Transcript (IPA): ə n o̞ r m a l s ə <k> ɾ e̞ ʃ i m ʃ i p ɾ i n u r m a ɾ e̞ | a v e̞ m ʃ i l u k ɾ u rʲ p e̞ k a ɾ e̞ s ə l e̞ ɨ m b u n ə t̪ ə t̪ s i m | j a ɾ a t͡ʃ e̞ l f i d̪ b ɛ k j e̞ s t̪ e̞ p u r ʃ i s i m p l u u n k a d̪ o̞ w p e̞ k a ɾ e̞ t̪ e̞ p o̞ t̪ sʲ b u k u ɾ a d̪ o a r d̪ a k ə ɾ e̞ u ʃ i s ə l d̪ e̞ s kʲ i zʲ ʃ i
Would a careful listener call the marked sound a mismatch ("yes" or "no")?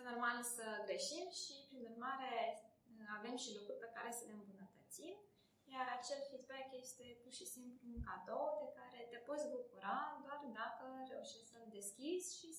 yes